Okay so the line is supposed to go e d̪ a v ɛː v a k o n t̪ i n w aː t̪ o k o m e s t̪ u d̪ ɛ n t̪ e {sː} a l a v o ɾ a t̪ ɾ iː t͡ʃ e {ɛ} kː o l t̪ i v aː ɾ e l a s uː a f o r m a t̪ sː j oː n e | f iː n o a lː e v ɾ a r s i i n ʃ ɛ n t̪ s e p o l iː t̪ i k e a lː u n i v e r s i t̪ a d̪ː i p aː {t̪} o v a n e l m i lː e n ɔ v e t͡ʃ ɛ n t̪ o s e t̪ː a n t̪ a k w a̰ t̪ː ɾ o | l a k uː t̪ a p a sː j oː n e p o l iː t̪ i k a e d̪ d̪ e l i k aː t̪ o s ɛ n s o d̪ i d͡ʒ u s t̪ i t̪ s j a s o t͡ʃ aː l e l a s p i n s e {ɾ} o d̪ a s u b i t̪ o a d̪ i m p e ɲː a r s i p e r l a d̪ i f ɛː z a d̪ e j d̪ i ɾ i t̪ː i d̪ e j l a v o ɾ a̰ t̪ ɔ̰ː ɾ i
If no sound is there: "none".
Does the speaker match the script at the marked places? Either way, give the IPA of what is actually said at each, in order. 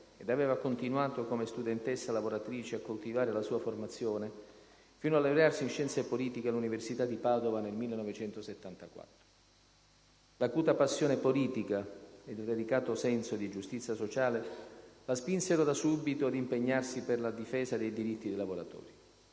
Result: sː, a, d̪, ɾ

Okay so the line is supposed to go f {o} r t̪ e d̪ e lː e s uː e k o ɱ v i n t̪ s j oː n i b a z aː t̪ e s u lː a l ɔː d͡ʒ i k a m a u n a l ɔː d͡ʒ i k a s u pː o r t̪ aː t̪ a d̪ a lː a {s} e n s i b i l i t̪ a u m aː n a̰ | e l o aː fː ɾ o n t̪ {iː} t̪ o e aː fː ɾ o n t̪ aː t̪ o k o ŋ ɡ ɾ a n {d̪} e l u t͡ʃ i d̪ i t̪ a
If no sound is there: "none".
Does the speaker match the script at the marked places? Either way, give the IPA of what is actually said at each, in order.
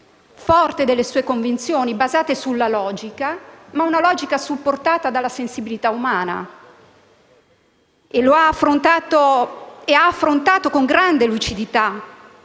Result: ɔ, s, aː, d̪

